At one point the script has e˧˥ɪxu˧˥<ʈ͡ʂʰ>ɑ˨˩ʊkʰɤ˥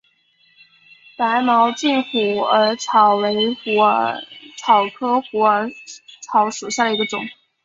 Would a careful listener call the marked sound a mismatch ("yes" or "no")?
no